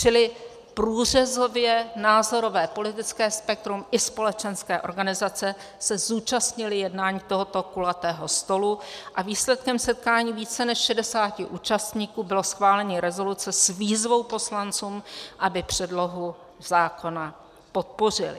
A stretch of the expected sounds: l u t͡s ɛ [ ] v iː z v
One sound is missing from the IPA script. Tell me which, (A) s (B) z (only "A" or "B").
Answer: A